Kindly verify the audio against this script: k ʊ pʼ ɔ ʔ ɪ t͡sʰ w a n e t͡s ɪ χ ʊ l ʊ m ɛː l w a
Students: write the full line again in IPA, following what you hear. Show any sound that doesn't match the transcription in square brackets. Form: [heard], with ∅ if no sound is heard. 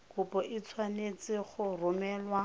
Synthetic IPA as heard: k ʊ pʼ ɔ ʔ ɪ t͡sʰ w a n e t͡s ɪ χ ʊ [r] ʊ m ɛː l w a